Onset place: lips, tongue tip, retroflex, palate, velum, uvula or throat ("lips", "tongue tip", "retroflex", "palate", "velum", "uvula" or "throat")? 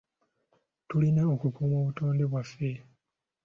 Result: tongue tip